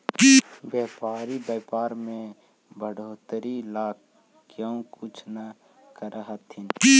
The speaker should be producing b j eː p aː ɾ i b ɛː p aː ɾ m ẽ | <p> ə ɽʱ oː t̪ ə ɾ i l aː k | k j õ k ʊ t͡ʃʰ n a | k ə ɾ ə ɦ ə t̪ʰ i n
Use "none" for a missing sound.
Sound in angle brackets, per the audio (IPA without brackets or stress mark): b